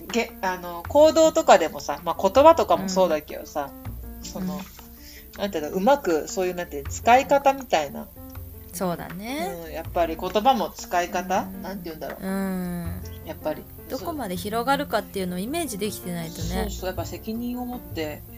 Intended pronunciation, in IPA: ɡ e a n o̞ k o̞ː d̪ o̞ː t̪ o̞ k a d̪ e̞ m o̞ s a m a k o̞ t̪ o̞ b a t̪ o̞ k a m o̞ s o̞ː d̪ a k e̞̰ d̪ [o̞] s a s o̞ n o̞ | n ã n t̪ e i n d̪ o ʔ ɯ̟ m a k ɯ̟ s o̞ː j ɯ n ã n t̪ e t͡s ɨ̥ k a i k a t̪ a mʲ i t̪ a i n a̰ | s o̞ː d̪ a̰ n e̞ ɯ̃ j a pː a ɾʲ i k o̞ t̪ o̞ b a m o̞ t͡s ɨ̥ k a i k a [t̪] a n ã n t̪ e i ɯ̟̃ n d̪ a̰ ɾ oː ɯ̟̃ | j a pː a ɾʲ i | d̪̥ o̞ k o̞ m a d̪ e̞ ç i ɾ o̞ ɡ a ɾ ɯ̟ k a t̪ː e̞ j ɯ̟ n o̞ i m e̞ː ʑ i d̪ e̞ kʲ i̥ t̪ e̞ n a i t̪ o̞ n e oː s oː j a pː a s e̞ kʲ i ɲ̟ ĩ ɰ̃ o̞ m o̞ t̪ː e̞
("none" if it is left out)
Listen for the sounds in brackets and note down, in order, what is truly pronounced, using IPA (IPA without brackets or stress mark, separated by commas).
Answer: o̞, t̪